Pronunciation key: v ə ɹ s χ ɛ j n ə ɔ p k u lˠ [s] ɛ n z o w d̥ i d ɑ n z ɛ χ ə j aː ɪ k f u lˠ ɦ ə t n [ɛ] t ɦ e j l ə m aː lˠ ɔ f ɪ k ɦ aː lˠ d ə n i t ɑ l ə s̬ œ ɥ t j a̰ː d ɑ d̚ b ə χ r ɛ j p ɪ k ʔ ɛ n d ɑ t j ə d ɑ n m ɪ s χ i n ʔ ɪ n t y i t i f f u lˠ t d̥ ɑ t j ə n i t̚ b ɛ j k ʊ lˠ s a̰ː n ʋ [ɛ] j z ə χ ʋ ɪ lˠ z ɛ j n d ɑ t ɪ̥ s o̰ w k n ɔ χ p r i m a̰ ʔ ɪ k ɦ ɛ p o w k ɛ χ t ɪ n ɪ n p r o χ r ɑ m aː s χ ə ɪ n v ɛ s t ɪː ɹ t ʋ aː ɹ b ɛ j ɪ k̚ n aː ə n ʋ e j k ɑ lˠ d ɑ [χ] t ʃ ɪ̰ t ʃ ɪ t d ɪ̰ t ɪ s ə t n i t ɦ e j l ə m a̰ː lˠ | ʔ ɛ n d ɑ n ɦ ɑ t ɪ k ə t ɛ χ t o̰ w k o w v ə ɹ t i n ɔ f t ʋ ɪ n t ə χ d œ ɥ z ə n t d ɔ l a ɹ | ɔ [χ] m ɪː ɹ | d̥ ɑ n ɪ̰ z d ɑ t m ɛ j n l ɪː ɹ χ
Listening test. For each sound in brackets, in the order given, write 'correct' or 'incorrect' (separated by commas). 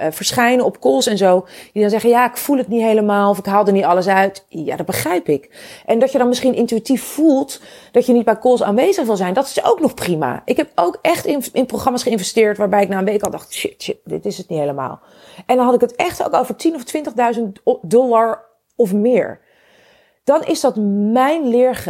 correct, incorrect, incorrect, correct, incorrect